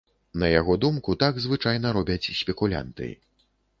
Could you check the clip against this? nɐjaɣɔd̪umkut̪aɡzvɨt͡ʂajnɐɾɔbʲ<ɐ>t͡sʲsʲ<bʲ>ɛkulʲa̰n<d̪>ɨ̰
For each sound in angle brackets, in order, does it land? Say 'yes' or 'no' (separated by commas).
yes, no, no